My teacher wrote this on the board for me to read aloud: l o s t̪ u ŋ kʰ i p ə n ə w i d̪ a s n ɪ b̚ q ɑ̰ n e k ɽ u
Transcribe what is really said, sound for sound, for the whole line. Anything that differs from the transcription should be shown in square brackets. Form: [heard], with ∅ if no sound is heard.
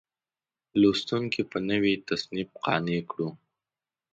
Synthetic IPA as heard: l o s t̪ u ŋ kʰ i p ə n ə w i [t̪] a s n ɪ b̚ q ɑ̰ n e k ɽ u